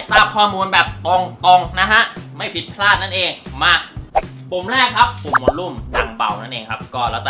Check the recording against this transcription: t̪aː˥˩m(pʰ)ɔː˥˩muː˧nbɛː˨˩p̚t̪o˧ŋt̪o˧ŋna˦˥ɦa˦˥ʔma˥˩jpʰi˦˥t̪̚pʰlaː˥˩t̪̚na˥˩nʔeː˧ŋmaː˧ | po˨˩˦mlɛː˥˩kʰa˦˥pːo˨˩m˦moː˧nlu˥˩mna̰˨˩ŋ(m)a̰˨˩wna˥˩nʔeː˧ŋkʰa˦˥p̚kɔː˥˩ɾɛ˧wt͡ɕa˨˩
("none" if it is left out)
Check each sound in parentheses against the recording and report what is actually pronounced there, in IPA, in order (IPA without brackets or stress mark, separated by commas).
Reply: kʰ, b